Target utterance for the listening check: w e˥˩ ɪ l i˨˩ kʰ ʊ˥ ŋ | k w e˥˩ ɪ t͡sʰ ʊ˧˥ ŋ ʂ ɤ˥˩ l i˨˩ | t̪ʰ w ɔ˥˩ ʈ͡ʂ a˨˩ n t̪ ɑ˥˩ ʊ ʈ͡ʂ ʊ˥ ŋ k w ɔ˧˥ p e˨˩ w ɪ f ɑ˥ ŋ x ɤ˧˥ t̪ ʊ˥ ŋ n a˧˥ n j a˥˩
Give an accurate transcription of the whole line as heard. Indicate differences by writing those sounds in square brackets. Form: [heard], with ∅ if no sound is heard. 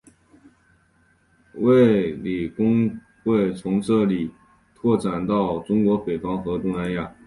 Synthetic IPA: w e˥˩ ɪ l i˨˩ [k] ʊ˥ ŋ | [x] w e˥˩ ɪ t͡sʰ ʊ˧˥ ŋ [ʈ͡ʂ] ɤ˥˩ l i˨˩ | t̪ʰ w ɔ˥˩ ʈ͡ʂ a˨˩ n t̪ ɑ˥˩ ʊ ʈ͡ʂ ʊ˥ ŋ k w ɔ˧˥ p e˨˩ [∅] ɪ f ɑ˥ ŋ x ɤ˧˥ t̪ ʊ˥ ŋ n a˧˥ n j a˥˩